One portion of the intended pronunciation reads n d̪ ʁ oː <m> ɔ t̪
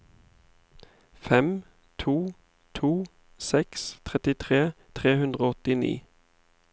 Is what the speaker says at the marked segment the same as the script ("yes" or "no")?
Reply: no